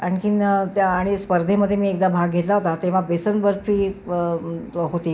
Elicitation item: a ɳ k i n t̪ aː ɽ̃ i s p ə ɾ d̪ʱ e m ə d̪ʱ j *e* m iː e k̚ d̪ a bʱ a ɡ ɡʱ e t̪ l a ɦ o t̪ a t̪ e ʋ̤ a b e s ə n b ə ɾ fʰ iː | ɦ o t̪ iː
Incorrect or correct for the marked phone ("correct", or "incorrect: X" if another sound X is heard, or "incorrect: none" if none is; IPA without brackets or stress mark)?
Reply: correct